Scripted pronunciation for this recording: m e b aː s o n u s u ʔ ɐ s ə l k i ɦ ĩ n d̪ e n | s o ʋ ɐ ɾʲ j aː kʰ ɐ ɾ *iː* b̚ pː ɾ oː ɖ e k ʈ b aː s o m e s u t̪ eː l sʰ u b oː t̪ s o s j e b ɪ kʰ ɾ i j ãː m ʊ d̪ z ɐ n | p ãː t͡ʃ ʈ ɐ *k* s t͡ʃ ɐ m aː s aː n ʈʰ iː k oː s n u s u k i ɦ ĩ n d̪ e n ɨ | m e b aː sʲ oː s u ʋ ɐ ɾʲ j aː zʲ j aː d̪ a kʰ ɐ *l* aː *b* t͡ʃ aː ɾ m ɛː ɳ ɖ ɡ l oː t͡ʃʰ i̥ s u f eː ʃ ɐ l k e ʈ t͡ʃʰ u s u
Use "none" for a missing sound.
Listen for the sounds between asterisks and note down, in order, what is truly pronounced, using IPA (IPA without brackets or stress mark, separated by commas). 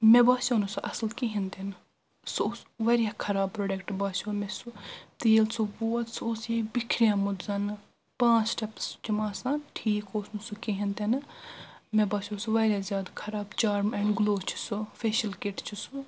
aː, p, ɾ, b